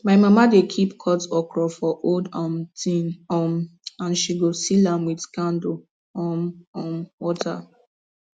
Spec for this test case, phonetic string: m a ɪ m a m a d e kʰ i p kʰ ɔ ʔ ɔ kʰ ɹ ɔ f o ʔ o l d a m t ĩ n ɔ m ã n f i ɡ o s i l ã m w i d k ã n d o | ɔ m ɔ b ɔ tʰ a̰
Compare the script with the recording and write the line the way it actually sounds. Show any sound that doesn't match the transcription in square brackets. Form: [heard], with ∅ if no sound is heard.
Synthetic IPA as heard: m a ɪ m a m a d e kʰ i p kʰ ɔ [t] ɔ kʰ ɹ ɔ f [ɔ] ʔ o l d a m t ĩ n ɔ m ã n [ʃ] i ɡ o s i l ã m w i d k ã n d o | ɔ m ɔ [w] ɔ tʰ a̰